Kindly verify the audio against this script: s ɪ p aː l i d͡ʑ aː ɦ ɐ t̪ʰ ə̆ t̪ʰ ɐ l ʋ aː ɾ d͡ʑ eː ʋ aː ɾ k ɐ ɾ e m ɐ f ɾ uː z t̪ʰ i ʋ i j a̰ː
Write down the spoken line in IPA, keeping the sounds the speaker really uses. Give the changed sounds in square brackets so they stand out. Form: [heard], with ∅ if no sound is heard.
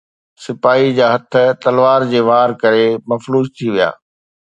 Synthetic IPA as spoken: s ɪ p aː [∅] i d͡ʑ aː ɦ ɐ t̪ʰ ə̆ [t̪] ɐ l ʋ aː ɾ d͡ʑ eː ʋ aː ɾ k ɐ ɾ e m ɐ f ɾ uː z t̪ʰ i ʋ i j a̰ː